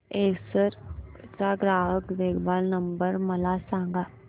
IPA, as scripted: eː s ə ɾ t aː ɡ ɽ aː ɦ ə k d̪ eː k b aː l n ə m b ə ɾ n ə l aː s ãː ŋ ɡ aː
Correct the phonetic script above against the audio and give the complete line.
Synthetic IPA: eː s ə ɾ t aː ɡ ɾ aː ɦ ə k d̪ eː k b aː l n ə m b ə ɾ m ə l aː s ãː ŋ ɡ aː